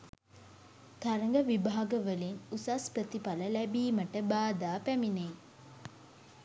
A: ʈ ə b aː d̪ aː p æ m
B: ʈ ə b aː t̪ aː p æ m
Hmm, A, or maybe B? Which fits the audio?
A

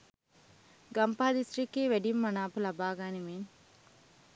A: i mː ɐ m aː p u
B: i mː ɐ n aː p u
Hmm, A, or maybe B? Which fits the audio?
B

